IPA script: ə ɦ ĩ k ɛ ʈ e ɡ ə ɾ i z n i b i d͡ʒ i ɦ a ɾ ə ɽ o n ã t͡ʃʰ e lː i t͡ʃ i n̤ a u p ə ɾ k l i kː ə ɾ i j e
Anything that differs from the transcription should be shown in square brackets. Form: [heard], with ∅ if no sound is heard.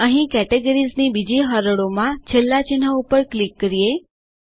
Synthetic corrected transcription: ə ɦ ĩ k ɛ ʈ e ɡ ə ɾ i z n i b i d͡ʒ i ɦ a ɾ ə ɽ o [m] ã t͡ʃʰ e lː [a] t͡ʃ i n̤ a u p ə ɾ k l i kː ə ɾ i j e